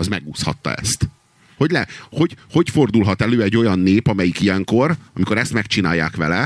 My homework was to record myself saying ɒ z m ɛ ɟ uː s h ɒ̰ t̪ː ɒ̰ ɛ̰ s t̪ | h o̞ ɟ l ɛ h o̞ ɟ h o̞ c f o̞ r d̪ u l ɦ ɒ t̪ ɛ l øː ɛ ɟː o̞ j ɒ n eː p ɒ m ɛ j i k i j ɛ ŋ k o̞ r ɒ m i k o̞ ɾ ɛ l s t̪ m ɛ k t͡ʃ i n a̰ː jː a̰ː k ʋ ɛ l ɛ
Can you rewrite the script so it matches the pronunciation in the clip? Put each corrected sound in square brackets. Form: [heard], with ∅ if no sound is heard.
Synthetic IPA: ɒ z m ɛ [ɡ] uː s h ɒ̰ t̪ː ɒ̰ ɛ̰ s t̪ | h o̞ ɟ l ɛ h o̞ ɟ h o̞ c f o̞ r d̪ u l ɦ ɒ t̪ ɛ l øː ɛ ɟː o̞ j ɒ [nː] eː p ɒ m ɛ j i k i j ɛ ŋ k o̞ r ɒ m i k o̞ ɾ ɛ [∅] s t̪ m ɛ k t͡ʃ i n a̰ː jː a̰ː k ʋ ɛ l ɛ